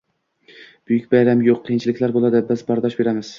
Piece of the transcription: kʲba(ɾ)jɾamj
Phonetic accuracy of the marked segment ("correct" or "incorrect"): incorrect